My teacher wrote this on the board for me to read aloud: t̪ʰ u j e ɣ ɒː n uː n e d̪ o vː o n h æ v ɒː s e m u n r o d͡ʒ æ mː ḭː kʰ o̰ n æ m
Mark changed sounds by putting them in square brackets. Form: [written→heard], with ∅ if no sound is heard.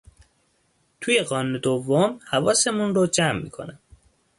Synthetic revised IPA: t̪ʰ u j e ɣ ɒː n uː n e d̪ o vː o [n→m] h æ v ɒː s e m u n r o d͡ʒ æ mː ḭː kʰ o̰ n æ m

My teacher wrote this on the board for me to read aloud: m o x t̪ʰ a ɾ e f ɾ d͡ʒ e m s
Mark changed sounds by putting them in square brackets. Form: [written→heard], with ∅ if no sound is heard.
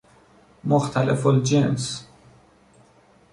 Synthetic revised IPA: m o x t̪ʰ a [ɾ→l] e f [ɾ→l] d͡ʒ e [m→n] s

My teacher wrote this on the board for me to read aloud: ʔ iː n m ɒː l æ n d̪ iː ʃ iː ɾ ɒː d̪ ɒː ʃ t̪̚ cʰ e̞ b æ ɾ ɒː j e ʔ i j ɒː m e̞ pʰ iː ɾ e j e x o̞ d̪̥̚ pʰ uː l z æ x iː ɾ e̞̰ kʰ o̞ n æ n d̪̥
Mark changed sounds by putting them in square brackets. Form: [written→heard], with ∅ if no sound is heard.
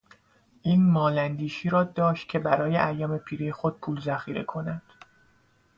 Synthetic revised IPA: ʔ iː n m ɒː l æ n d̪ iː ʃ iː ɾ ɒː d̪ ɒː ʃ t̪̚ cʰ e̞ b æ ɾ ɒː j e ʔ [i→æ] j ɒː m e̞ pʰ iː ɾ e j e x o̞ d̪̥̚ pʰ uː l z æ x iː ɾ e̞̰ kʰ o̞ n æ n d̪̥

